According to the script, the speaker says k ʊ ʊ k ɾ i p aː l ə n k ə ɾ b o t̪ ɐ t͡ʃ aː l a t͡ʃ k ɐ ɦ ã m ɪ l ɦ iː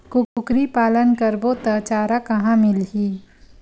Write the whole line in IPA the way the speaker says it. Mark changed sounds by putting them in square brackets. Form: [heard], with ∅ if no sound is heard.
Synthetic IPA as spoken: k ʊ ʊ k ɾ i p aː l ə n k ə ɾ b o t̪ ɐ t͡ʃ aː [ɾ] a [∅] k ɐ ɦ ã m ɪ l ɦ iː